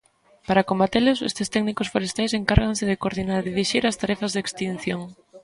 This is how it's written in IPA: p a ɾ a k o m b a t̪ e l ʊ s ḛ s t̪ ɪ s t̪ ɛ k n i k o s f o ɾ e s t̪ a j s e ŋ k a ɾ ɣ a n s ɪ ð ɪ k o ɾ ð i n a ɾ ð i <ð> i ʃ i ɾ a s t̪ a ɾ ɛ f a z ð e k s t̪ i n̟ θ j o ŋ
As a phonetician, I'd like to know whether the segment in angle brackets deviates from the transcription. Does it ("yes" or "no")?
no